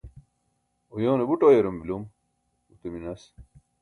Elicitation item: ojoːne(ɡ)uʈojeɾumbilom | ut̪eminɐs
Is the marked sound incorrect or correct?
incorrect